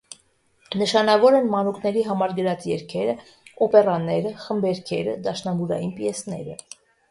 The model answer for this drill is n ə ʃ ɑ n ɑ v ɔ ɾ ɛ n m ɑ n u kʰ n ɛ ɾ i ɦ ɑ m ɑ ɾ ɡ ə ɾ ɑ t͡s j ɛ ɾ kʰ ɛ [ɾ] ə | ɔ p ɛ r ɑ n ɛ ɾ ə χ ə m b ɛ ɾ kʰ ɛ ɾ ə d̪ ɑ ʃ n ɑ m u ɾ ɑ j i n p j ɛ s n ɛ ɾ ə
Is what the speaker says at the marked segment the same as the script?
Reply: yes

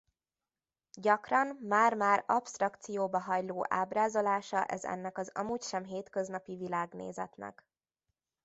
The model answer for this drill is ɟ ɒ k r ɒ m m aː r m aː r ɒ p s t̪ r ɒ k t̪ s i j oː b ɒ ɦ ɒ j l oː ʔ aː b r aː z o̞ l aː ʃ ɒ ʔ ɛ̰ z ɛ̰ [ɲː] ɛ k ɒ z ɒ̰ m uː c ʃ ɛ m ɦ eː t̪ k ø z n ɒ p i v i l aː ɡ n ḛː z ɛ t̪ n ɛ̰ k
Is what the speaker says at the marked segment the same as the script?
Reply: no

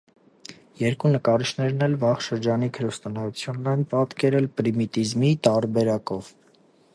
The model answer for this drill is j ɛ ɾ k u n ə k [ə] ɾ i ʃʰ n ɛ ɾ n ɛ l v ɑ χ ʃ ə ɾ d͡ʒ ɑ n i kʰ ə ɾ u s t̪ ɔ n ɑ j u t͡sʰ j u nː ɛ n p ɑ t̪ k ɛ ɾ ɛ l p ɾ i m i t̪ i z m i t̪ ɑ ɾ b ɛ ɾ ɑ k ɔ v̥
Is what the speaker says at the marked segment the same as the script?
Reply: no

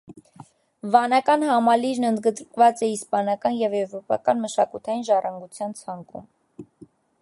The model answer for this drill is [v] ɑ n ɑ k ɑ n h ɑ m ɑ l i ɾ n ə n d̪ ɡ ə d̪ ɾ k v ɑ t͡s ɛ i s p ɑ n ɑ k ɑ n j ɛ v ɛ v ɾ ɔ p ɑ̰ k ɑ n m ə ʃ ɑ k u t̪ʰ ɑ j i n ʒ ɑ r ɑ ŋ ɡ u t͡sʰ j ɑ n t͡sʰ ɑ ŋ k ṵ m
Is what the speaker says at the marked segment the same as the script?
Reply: yes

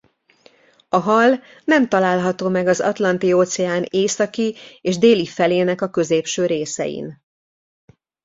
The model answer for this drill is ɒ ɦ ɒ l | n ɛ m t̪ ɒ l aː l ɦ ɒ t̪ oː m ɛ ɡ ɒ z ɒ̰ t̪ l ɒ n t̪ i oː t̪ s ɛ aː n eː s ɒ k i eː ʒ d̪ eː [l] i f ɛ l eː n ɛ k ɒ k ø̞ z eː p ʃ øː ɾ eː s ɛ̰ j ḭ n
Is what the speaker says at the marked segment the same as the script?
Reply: yes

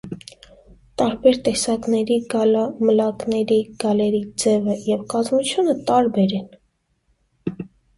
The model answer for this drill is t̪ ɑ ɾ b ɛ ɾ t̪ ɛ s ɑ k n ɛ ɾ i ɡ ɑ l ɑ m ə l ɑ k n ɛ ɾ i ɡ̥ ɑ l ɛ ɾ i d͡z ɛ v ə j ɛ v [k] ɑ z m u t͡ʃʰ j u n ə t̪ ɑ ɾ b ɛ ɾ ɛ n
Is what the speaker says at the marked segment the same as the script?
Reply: yes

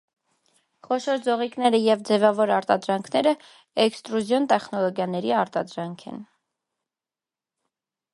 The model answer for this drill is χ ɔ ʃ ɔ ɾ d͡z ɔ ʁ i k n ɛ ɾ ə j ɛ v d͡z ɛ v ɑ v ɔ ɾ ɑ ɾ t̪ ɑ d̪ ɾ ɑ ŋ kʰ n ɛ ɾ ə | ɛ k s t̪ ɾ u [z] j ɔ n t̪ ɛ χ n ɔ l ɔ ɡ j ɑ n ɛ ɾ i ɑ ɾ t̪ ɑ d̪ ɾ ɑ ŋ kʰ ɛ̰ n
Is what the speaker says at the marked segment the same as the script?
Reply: yes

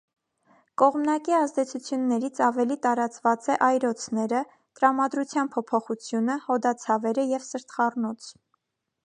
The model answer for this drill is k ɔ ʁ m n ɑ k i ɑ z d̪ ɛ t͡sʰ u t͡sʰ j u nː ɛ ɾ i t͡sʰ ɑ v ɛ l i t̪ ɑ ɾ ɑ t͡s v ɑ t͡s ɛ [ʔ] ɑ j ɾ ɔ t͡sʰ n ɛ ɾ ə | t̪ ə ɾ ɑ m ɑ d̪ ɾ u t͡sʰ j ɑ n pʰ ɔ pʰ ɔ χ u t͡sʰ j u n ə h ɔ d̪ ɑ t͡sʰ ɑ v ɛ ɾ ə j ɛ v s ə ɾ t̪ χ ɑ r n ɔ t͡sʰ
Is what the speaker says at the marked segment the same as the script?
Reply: yes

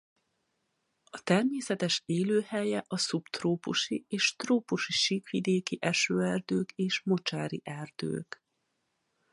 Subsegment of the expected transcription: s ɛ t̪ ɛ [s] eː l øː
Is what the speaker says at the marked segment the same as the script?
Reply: no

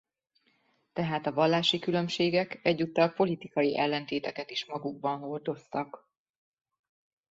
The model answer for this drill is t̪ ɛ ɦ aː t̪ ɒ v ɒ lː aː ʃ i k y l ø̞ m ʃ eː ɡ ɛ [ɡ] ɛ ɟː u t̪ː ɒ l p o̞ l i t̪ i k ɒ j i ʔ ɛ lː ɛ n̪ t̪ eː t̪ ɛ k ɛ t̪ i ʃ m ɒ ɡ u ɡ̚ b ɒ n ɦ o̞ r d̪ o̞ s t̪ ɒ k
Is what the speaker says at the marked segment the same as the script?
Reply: no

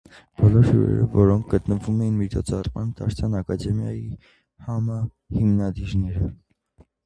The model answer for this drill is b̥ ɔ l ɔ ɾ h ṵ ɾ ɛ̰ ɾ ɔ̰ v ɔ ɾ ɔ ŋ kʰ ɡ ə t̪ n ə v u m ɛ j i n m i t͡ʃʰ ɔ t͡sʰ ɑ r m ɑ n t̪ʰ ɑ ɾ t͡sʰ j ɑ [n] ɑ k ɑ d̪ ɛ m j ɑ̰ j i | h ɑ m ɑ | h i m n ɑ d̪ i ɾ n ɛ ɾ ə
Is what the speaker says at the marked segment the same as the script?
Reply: yes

